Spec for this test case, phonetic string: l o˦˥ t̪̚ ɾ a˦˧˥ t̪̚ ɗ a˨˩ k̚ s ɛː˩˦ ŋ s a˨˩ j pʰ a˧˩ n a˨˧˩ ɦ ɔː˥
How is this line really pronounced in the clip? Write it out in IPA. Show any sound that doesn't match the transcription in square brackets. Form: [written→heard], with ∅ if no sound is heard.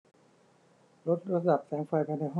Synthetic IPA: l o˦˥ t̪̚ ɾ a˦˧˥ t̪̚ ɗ a˨˩ [k̚→p̚] s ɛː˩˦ ŋ [s→f] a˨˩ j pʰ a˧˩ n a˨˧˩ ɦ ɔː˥